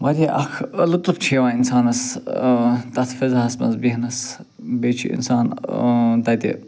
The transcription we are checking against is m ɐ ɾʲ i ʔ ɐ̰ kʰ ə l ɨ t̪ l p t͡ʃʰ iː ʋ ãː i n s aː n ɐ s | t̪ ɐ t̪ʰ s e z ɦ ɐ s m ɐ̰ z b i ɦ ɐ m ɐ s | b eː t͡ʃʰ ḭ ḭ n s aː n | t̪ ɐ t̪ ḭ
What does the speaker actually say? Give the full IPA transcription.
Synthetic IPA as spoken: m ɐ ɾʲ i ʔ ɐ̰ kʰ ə l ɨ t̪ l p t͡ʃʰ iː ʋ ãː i n s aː n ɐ s | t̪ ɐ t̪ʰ f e z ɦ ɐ s m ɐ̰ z b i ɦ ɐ n ɐ s | b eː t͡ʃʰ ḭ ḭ n s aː n | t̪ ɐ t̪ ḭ